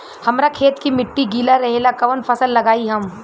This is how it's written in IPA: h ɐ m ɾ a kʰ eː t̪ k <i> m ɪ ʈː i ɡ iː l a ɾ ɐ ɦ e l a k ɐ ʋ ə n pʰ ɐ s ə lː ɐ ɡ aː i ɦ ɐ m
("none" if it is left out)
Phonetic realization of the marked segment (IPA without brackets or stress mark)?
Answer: i